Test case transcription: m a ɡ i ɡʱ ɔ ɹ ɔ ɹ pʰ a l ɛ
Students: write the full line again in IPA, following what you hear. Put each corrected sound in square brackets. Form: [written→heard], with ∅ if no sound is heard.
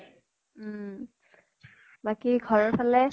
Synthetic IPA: [m→b] a [ɡ→k] i ɡʱ ɔ ɹ ɔ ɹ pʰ a l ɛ